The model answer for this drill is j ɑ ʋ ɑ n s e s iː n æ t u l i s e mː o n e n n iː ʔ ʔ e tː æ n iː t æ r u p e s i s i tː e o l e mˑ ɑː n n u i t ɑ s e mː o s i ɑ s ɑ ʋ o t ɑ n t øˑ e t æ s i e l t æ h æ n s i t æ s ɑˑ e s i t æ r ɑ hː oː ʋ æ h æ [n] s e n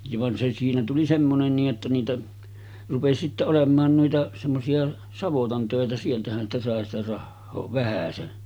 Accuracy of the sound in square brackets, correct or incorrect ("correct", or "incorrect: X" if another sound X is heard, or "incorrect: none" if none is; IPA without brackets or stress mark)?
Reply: incorrect: none